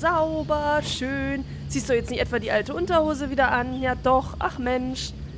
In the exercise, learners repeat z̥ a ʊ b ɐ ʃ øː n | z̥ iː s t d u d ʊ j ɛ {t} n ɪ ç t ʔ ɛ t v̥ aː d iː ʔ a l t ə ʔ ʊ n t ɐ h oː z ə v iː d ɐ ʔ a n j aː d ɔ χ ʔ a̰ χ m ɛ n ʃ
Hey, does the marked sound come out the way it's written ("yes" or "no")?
no